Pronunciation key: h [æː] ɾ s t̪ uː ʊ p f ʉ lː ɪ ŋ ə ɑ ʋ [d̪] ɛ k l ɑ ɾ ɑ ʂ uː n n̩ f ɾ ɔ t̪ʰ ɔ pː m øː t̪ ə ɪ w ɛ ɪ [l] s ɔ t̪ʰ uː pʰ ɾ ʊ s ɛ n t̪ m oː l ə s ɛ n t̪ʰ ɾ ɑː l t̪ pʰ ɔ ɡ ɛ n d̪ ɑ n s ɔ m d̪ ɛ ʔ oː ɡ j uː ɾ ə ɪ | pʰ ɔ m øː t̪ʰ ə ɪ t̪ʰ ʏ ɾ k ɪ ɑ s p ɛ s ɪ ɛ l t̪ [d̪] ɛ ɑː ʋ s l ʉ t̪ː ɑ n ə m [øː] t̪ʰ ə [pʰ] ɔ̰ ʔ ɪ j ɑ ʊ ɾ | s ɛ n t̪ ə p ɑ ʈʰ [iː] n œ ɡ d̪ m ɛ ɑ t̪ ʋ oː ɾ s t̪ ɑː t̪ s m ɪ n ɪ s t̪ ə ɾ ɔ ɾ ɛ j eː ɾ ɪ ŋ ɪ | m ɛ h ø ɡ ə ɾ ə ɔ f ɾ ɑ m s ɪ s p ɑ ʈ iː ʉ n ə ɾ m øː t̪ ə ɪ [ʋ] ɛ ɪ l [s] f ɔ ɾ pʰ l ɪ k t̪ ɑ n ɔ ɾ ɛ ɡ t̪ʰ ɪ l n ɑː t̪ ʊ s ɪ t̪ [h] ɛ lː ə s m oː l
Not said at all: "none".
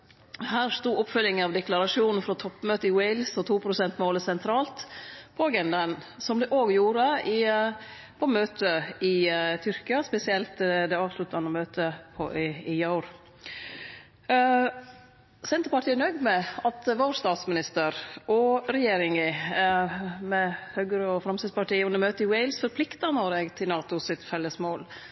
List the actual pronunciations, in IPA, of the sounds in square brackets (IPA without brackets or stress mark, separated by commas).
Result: æː, d̪, l, d̪, øː, pʰ, iː, w, s, f